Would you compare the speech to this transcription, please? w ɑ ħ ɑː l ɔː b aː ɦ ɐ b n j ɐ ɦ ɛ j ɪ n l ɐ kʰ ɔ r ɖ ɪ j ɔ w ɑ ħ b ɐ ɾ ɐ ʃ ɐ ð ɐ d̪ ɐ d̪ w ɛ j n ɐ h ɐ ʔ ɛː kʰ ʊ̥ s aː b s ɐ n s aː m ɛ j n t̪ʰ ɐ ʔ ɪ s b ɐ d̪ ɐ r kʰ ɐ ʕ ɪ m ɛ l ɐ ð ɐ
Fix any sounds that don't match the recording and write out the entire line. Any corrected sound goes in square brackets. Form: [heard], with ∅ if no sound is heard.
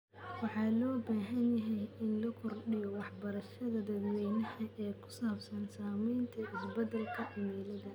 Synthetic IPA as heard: w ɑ ħ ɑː l ɔː b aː ɦ ɐ [∅] n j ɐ ɦ ɛ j ɪ n l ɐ kʰ ɔ r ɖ ɪ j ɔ w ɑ ħ b ɐ ɾ ɐ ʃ ɐ ð ɐ d̪ ɐ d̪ w ɛ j n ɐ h ɐ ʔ ɛː kʰ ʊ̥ s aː b s ɐ n s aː m ɛ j n t̪ʰ ɐ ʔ ɪ s b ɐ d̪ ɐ [l] kʰ ɐ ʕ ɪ m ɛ l ɐ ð ɐ